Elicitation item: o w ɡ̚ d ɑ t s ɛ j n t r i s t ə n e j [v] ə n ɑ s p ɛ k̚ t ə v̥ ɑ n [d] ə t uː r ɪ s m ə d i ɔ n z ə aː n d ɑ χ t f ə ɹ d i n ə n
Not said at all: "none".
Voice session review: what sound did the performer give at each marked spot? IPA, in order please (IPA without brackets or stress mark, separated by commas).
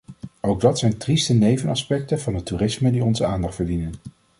v, d